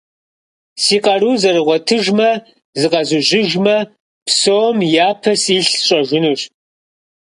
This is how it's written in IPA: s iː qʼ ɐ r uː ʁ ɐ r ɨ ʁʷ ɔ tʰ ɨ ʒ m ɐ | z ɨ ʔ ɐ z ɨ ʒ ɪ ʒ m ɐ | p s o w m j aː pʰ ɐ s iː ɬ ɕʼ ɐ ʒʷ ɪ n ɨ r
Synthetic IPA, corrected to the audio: s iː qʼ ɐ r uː z ɐ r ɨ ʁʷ ɔ tʰ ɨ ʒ m ɐ | z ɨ q ɐ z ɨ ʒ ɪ ʒ m ɐ | p s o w m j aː pʰ ɐ s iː ɬ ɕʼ ɐ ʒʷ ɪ n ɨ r